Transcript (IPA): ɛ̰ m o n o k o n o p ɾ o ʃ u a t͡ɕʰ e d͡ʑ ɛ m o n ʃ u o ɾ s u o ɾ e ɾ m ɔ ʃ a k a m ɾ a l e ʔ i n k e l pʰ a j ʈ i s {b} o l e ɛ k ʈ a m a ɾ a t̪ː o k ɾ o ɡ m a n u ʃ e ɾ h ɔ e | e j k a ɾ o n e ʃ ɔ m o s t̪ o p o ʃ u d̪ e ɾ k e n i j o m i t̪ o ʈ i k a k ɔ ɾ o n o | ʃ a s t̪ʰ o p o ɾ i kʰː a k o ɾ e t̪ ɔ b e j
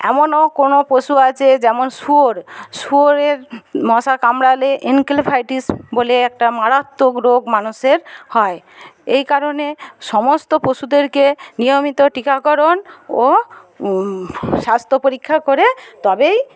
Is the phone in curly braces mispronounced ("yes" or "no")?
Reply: no